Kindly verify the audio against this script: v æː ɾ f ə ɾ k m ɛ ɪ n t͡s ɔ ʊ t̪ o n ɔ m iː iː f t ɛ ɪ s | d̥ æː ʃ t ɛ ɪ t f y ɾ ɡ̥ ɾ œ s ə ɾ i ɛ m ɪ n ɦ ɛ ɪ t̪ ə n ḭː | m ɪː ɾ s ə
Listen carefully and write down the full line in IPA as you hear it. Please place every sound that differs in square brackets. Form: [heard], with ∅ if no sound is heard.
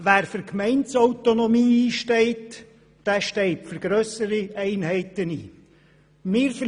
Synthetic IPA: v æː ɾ f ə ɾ k m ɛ ɪ n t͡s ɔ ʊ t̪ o n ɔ m iː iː [ʃ] t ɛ ɪ [t] | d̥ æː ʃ t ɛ ɪ t f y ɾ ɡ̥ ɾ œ s ə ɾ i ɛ [∅] ɪ n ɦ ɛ ɪ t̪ ə n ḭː | m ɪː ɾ [f] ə